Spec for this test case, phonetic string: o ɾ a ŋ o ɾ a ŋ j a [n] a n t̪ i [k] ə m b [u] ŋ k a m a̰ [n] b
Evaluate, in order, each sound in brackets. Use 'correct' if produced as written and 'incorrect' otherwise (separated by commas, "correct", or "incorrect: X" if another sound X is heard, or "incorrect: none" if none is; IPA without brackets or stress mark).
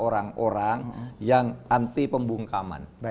incorrect: ŋ, incorrect: p, correct, correct